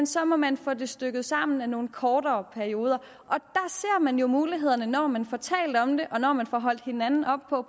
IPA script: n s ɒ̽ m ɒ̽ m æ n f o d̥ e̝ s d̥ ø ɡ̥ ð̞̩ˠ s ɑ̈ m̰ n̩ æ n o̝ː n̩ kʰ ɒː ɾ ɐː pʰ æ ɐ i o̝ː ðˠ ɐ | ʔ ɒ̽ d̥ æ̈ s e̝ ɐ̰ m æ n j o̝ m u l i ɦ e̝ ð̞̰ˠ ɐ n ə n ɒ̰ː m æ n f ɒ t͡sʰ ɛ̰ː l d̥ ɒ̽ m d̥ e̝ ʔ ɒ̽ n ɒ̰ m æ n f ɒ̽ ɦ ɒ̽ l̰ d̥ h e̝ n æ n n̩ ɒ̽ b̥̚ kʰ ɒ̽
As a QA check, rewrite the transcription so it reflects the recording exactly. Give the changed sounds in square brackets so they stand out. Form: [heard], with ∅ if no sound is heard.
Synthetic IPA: n s ɒ̽ m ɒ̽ m æ n f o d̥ e̝ s d̥ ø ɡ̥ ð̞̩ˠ s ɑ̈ m̰ n̩ æ n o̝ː n̩ kʰ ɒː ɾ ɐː pʰ æ ɐ i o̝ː ðˠ ɐ | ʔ ɒ̽ d̥ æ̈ s e̝ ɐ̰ m æ n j o̝ m [uː] l i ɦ e̝ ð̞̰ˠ ɐ n ə n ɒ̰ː m æ n f ɒ t͡sʰ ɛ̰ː l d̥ ɒ̽ m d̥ e̝ ʔ ɒ̽ n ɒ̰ m æ n f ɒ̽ ɦ ɒ̽ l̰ d̥ h e̝ n æ n n̩ ɒ̽ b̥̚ [pʰ] ɒ̽

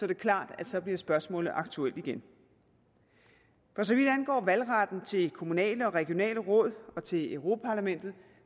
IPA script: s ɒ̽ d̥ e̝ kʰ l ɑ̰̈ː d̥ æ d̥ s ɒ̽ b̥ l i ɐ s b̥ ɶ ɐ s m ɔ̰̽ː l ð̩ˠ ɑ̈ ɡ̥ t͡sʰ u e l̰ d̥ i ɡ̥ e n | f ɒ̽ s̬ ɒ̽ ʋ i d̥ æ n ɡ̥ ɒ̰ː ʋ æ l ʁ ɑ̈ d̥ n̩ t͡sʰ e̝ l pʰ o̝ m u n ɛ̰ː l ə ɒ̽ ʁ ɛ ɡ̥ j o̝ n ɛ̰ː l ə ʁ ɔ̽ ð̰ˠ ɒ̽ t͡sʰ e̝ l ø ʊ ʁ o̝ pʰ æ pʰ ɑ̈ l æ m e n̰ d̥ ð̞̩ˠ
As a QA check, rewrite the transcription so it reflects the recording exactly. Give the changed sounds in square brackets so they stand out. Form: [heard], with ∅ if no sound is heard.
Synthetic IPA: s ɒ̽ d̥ e̝ kʰ l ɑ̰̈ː d̥ æ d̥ s ɒ̽ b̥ l i ɐ s b̥ ɶ ɐ s m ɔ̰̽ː l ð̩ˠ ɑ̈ ɡ̥ t͡sʰ u e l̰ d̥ i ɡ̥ e n | f ɒ̽ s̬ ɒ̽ ʋ i d̥ æ n ɡ̥ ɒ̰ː ʋ æ l ʁ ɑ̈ d̥ n̩ t͡sʰ e̝ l [kʰ] o̝ m u n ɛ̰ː l ə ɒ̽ ʁ ɛ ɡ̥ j o̝ n ɛ̰ː l ə ʁ ɔ̽ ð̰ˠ ɒ̽ t͡sʰ e̝ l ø ʊ ʁ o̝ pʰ æ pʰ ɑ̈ l æ m e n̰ d̥ ð̞̩ˠ

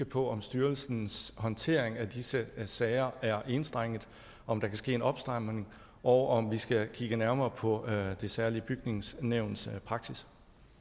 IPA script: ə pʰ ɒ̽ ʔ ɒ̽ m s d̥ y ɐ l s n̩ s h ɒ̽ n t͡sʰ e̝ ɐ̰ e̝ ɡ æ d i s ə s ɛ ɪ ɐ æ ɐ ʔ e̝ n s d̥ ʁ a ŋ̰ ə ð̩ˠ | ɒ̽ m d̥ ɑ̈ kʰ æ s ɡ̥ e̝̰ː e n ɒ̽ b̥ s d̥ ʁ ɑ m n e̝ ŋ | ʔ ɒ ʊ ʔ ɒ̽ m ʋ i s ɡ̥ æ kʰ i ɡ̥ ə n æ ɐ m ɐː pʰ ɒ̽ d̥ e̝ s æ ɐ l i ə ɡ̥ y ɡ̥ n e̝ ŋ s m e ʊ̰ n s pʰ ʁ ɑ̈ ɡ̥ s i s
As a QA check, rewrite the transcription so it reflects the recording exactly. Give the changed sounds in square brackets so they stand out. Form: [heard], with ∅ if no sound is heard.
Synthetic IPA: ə pʰ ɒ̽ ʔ ɒ̽ m s d̥ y ɐ l s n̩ s h ɒ̽ n t͡sʰ e̝ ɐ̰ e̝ [ŋ] æ d i s ə s ɛ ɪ ɐ æ ɐ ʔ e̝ n s d̥ ʁ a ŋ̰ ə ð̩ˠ | ɒ̽ m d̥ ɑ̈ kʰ æ s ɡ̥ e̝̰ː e n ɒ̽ b̥ s d̥ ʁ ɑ m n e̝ ŋ | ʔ ɒ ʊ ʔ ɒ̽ m ʋ i s ɡ̥ æ kʰ i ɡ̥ ə n æ ɐ m ɐː pʰ ɒ̽ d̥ e̝ s æ ɐ l i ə [b̥] y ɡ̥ n e̝ ŋ s [n] e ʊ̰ n s pʰ ʁ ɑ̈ ɡ̥ s i s

